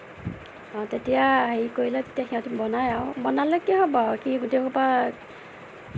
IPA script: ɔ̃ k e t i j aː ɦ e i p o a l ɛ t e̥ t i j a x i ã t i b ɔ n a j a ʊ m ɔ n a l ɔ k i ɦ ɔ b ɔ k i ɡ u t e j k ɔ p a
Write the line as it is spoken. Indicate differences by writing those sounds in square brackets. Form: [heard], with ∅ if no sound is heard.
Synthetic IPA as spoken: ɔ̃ [t] e t i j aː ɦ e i [k] o [i] l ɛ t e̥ t i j a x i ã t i b ɔ n a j a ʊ [b] ɔ n a l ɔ k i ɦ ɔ b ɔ k i ɡ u t e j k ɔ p a

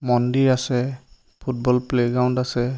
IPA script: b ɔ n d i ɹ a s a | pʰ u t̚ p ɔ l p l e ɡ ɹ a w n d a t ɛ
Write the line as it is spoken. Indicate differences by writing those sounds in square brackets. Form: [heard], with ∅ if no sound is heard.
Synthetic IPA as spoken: [m] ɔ n d i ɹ a s [ɛ] | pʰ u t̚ [b] ɔ l p l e ɡ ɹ a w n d a [s] ɛ

